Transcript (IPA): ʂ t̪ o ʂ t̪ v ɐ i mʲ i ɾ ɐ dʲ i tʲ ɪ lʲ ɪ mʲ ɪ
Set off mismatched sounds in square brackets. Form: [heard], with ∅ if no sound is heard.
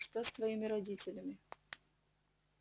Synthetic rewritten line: ʂ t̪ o [s] t̪ v ɐ i mʲ [ɪ] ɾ ɐ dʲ i tʲ ɪ lʲ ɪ mʲ ɪ